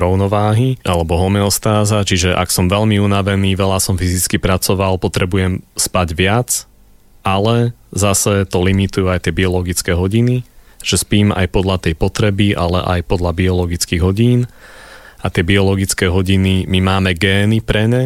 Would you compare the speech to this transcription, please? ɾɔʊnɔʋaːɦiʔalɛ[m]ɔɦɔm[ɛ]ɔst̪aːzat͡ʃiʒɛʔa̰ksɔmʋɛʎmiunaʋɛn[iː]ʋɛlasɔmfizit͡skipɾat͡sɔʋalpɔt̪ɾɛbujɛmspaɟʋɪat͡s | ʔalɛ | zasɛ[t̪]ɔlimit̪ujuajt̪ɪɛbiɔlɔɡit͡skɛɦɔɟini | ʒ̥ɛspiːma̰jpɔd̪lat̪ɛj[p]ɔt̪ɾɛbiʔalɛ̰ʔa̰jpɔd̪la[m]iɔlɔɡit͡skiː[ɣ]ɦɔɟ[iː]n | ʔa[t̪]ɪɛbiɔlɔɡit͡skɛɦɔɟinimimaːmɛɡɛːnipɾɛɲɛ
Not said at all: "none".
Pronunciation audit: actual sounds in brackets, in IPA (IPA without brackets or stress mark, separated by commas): b, ɛ, iː, t̪, p, b, ɣ, iː, t̪